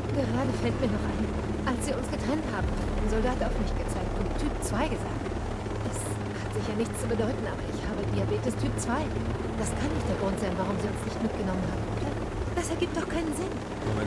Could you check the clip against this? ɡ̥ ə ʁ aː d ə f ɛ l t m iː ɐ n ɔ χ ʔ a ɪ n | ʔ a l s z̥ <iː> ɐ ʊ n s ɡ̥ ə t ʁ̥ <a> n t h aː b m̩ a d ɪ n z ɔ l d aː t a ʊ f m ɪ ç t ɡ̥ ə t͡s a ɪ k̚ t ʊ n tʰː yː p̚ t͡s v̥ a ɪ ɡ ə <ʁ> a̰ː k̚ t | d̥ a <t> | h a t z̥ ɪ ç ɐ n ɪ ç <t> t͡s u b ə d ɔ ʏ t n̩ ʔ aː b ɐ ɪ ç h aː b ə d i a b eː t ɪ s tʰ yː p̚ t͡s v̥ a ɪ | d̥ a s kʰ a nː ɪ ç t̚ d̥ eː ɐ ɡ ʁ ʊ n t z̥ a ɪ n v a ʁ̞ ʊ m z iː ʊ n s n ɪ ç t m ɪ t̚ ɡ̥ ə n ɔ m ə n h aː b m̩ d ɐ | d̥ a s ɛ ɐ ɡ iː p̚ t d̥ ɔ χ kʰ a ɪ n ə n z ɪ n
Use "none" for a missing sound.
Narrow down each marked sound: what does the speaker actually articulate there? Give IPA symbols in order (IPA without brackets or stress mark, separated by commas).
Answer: iː, ɛ, z, s, t͡s